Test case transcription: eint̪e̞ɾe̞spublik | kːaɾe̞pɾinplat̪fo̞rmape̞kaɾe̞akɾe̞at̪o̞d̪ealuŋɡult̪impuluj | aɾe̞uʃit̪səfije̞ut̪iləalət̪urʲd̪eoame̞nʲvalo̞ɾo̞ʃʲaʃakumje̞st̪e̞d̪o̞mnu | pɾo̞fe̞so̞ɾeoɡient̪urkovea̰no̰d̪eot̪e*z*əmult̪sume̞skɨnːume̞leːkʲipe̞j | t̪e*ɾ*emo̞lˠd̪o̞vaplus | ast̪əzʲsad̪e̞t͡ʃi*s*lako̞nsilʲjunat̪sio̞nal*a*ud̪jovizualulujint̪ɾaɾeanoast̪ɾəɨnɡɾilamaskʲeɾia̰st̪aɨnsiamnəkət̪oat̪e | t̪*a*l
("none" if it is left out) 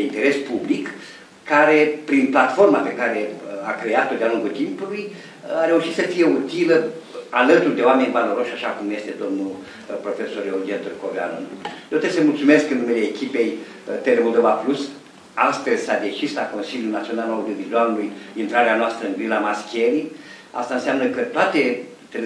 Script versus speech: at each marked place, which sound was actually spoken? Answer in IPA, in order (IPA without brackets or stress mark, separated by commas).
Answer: s, l, s, a, e